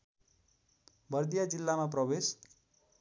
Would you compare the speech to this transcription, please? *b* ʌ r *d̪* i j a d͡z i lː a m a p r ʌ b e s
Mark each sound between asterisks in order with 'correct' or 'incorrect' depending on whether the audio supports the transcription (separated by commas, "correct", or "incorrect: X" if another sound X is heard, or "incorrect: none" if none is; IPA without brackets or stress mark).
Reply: correct, correct